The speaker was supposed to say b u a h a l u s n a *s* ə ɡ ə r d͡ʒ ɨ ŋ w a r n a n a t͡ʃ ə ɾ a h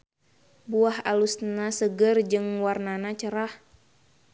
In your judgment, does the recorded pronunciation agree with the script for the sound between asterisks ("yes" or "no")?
yes